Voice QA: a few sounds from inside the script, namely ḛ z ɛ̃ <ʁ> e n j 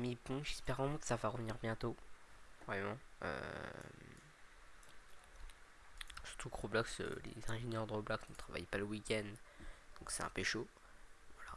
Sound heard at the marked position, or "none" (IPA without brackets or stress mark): ʒ